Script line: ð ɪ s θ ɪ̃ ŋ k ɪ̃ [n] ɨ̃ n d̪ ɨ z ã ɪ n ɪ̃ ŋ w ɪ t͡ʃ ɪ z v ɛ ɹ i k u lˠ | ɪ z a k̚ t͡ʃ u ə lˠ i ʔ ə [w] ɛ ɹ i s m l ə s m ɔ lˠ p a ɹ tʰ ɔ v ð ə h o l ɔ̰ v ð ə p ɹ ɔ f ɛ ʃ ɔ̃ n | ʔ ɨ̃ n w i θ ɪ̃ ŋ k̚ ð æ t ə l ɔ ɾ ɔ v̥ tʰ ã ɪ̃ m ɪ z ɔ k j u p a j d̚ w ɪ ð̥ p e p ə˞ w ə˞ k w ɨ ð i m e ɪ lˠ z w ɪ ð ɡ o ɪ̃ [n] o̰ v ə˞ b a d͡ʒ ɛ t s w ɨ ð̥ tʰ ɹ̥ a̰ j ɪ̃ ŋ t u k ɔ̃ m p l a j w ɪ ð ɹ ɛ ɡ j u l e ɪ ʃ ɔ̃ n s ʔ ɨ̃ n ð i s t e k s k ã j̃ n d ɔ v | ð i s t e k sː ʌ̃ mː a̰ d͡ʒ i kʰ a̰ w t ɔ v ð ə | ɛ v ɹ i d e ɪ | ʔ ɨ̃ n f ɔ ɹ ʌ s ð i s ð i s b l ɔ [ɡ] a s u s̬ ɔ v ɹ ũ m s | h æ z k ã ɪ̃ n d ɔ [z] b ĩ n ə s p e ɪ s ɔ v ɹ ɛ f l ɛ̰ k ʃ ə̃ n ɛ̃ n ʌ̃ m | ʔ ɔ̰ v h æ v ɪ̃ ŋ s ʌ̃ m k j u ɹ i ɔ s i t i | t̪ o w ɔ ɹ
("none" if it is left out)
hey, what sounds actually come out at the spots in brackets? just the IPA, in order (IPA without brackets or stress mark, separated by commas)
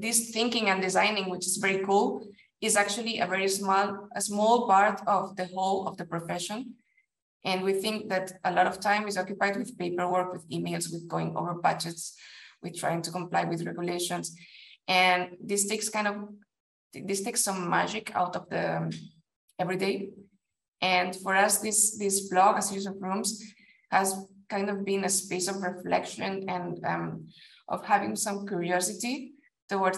ŋ, v, ŋ, ɡ, v